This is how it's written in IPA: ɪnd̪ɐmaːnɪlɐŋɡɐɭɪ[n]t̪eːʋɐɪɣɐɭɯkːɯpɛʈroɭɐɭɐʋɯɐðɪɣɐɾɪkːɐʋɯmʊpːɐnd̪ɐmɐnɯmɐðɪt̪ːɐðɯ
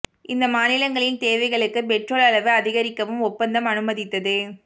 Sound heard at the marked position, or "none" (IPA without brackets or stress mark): n